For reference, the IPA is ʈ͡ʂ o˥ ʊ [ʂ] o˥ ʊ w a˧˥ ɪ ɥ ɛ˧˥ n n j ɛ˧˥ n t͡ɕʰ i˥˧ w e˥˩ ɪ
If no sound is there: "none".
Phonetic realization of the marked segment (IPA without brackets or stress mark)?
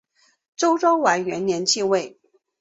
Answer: ʈ͡ʂ